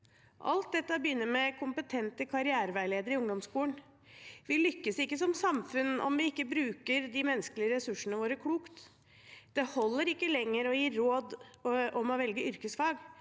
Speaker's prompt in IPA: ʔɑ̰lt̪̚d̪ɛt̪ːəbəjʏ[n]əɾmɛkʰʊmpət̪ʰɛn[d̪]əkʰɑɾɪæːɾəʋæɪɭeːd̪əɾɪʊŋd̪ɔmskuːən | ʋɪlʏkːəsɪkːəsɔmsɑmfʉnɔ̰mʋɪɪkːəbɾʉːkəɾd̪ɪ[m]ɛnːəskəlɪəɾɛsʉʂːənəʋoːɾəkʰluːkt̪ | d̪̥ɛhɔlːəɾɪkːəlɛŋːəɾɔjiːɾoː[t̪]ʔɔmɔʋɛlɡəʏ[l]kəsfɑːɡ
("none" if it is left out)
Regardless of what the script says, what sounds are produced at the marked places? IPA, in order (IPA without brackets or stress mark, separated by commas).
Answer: nː, t̪, m, d̪, ɾ